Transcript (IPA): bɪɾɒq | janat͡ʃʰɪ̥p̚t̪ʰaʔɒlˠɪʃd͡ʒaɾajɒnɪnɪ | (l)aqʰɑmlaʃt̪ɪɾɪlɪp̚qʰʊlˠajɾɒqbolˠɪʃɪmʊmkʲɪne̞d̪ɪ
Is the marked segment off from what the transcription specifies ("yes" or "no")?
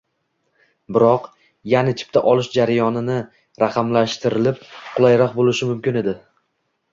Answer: yes